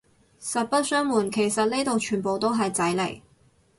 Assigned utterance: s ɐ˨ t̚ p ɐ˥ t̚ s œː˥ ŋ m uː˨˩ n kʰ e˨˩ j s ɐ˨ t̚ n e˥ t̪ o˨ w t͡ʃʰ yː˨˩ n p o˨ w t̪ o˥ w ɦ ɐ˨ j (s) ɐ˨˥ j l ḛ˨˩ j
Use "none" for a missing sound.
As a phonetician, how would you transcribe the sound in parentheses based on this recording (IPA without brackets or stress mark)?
t͡s